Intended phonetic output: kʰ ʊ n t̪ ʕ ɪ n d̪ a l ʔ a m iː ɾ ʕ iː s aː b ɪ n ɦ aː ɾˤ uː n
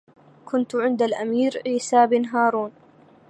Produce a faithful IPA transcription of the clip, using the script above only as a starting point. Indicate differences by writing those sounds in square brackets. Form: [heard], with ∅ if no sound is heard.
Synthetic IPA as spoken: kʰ ʊ n t̪ ʕ ɪ n d̪ a l ʔ a m iː ɾ ʕ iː s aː b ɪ n ɦ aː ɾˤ uː n